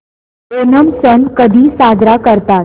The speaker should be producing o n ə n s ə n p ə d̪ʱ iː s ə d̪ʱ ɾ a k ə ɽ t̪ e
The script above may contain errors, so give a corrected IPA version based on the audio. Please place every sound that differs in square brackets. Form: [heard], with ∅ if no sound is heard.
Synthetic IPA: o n ə [m] s ə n [k] ə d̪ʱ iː s [a] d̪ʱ ɾ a k ə [ɾ] t̪ [a]